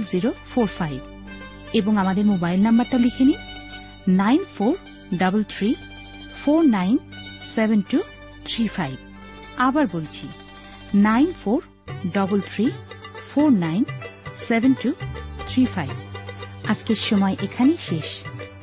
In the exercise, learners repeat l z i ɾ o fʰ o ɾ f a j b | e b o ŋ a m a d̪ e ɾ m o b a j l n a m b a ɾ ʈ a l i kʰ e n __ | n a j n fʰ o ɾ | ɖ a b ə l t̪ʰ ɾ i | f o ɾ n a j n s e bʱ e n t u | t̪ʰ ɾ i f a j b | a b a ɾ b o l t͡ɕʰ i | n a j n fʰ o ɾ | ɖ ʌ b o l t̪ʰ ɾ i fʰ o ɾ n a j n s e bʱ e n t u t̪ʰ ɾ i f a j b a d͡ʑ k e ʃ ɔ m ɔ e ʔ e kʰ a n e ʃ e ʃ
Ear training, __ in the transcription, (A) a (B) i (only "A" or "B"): B